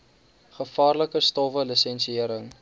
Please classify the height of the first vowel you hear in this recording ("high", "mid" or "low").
mid